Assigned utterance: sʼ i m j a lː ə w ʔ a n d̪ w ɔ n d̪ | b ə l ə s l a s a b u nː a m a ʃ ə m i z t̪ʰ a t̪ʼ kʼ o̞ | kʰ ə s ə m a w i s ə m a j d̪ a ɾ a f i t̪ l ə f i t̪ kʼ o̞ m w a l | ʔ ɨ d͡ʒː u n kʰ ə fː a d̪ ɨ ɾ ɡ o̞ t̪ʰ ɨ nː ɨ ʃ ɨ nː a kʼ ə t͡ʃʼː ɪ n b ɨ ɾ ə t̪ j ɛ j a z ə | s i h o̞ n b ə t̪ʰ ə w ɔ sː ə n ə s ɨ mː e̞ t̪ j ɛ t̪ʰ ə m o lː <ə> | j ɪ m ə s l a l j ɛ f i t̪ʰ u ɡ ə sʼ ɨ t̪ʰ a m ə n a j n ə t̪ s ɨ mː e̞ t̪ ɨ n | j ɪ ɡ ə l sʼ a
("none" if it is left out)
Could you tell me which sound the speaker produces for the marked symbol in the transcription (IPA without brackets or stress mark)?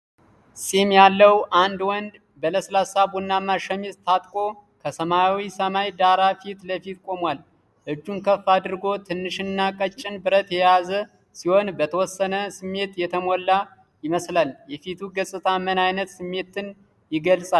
a